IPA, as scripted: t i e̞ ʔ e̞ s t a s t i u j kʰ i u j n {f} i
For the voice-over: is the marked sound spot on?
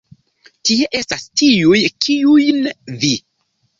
no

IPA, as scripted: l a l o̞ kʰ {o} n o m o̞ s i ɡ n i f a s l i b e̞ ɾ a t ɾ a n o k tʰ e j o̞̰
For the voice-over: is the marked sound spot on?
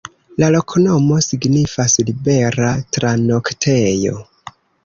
yes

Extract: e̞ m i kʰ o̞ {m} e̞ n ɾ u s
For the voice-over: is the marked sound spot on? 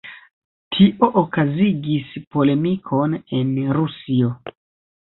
no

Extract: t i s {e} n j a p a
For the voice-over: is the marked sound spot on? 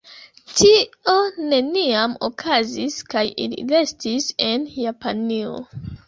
yes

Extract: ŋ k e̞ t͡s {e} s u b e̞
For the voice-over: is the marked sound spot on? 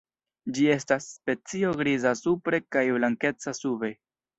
no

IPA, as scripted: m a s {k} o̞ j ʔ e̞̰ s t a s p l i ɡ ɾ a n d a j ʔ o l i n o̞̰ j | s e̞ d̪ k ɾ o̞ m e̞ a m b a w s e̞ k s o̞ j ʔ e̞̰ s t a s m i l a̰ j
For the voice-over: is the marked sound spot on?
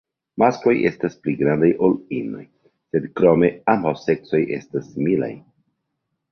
yes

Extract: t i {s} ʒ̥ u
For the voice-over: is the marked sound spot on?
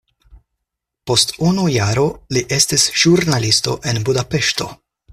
yes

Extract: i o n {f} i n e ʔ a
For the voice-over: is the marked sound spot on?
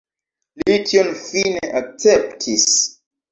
yes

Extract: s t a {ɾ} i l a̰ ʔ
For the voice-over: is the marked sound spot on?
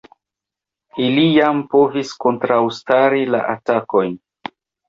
yes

